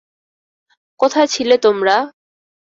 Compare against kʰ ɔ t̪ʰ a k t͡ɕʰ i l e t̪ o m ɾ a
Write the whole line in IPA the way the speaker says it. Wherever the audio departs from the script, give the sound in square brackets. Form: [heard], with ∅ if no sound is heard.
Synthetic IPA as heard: [k] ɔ t̪ʰ a [∅] t͡ɕʰ i l e t̪ o m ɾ a